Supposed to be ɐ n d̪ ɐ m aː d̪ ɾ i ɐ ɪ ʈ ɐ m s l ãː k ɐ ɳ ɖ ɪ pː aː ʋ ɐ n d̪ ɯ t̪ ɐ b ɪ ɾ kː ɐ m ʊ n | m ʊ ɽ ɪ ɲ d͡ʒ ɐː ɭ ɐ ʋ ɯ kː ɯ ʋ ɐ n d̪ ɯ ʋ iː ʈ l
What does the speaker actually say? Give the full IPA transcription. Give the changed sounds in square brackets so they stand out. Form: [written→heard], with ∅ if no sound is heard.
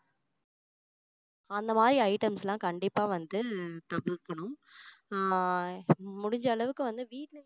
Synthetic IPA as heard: ɐ n d̪ ɐ m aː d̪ ɾ i ɐ ɪ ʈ ɐ m s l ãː k ɐ ɳ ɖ ɪ pː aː ʋ ɐ n d̪ ɯ t̪ ɐ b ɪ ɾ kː ɐ [m→ɳ] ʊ [n→m] | m ʊ ɽ ɪ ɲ d͡ʒ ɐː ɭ ɐ ʋ ɯ kː ɯ ʋ ɐ n d̪ ɯ ʋ iː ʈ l

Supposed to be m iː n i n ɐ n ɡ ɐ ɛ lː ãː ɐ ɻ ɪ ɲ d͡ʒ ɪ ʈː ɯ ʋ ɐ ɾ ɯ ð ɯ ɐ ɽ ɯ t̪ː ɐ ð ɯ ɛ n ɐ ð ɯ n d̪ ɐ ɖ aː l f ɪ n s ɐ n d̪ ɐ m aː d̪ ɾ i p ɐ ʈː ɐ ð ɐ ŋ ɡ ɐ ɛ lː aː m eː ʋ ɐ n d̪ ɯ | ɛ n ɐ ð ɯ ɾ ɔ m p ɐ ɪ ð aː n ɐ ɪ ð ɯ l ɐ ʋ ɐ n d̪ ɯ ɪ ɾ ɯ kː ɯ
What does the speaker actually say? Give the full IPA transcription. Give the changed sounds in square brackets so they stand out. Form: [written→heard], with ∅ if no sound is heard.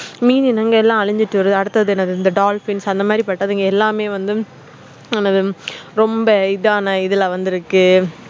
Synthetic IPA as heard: m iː n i n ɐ [n→ŋ] ɡ ɐ ɛ lː ãː ɐ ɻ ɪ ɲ d͡ʒ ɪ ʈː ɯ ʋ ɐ ɾ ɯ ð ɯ ɐ ɽ ɯ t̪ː ɐ ð ɯ ɛ n ɐ ð ɯ n d̪ ɐ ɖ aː l f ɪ n s ɐ n d̪ ɐ m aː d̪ ɾ i p ɐ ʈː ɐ ð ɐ ŋ ɡ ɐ ɛ lː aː m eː ʋ ɐ n d̪ ɯ | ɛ n ɐ ð ɯ ɾ ɔ m [p→b] ɐ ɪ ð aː n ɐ ɪ ð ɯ l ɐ ʋ ɐ n d̪ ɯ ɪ ɾ ɯ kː ɯ

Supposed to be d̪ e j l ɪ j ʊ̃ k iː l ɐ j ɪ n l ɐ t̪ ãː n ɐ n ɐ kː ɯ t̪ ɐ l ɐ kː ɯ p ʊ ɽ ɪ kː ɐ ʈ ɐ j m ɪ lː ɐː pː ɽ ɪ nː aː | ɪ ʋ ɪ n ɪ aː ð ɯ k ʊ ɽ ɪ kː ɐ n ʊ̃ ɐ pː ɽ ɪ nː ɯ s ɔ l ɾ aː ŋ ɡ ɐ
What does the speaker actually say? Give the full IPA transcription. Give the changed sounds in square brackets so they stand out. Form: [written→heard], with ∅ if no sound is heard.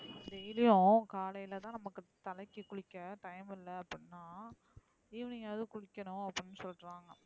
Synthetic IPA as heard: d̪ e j l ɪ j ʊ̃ k [iː→aː] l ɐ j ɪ [n→∅] l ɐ t̪ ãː n ɐ [n→m] ɐ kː ɯ t̪ ɐ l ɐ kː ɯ [p→k] ʊ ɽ ɪ kː ɐ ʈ ɐ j m ɪ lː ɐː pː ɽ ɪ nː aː | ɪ ʋ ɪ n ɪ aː ð ɯ k ʊ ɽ ɪ kː ɐ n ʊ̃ ɐ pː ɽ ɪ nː ɯ s ɔ l ɾ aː ŋ ɡ ɐ

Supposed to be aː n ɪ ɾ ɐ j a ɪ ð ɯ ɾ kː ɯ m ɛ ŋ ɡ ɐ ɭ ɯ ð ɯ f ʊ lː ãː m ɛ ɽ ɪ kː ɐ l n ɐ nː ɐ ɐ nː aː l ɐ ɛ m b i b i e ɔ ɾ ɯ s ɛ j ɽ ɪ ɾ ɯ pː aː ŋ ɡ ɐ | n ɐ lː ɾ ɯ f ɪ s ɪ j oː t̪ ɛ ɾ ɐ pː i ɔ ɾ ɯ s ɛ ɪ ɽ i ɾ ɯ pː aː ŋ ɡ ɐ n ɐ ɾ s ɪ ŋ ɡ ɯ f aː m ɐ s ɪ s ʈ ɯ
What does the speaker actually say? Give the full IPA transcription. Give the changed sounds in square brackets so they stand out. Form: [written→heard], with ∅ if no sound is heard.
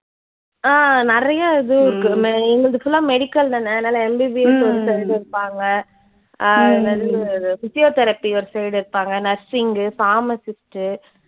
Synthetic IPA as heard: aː n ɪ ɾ ɐ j a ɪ ð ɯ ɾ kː ɯ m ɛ ŋ ɡ ɐ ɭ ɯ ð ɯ f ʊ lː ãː m ɛ ɽ ɪ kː ɐ l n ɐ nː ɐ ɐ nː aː l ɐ ɛ m b i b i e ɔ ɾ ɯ s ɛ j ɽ ɪ ɾ ɯ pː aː ŋ ɡ ɐ | n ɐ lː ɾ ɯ f ɪ s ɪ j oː t̪ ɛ ɾ ɐ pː i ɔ ɾ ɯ s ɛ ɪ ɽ [i→ɪ] ɾ ɯ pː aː ŋ ɡ ɐ n ɐ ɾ s ɪ ŋ ɡ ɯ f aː m ɐ s ɪ s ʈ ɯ

